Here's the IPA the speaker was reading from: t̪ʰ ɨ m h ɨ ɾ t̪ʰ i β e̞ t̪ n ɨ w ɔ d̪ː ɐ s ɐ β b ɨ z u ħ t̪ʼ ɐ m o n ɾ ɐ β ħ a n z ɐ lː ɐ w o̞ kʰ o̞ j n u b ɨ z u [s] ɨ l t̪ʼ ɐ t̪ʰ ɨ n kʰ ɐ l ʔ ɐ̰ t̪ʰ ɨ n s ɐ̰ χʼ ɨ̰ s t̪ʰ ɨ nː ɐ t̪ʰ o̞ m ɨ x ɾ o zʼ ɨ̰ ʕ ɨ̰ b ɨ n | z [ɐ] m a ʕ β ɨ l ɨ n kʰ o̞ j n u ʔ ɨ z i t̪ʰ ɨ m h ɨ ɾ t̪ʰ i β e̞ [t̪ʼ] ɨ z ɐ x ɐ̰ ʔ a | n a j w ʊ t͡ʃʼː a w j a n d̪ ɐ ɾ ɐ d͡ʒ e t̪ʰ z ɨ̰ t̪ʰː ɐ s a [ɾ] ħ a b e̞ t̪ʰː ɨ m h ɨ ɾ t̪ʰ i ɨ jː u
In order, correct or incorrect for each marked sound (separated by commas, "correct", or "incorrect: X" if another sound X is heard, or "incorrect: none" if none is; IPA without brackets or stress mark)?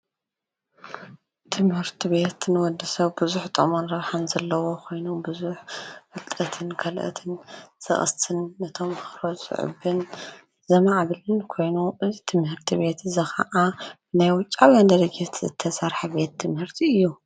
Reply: incorrect: ħ, correct, incorrect: t̪, correct